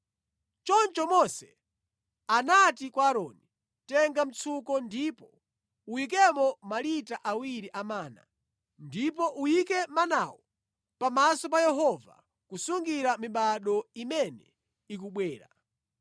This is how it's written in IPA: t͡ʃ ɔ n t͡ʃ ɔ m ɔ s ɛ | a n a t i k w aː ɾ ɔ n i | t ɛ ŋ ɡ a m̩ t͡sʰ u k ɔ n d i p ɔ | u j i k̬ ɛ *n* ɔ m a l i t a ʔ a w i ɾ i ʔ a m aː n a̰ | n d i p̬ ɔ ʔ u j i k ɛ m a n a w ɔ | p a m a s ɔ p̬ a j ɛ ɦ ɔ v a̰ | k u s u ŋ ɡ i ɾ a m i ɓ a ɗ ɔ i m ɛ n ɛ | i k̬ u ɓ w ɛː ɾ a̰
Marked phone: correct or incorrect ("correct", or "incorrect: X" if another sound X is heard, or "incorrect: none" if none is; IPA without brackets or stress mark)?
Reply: incorrect: m